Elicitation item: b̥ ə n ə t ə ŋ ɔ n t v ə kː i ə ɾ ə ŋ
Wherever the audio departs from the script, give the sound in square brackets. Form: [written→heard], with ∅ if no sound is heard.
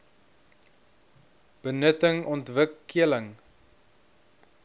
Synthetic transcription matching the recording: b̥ ə n ə t ə ŋ ɔ n t v ə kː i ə [ɾ→l] ə ŋ